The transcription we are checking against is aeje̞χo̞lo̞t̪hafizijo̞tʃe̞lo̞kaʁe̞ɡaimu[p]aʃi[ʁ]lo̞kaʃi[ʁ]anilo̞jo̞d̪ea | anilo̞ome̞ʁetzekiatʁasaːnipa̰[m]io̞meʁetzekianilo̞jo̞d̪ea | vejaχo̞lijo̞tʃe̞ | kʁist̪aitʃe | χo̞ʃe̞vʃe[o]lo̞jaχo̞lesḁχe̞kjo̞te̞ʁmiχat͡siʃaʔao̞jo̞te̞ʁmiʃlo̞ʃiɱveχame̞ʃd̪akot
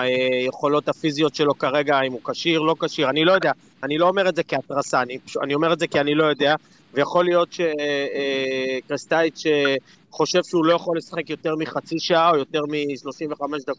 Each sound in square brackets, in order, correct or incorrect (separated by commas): incorrect, correct, correct, incorrect, incorrect